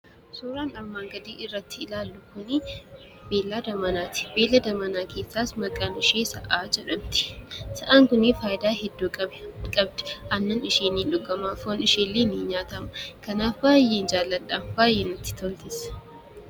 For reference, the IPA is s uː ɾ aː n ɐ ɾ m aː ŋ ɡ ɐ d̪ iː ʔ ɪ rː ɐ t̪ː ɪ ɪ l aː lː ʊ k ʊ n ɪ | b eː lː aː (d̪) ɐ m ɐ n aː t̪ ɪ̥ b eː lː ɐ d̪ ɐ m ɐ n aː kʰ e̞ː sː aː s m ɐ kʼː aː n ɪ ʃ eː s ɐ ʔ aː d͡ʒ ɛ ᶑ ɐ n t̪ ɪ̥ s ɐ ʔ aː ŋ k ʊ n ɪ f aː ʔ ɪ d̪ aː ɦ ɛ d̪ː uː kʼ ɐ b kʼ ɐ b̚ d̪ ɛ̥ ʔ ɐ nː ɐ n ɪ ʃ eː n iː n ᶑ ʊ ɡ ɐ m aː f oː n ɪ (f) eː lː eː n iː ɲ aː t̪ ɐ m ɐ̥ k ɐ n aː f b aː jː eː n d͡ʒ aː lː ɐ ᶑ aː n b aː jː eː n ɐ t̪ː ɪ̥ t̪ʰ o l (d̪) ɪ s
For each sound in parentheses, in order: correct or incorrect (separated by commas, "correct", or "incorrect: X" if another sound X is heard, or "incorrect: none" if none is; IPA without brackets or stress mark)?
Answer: correct, incorrect: ʃ, incorrect: t̪